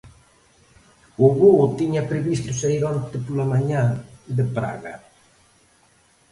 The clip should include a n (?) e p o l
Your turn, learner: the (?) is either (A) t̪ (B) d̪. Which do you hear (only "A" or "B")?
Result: A